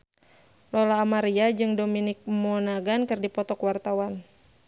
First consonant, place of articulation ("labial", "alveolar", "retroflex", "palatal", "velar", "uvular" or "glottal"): alveolar